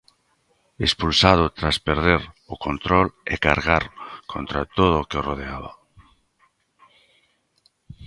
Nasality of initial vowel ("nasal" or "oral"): oral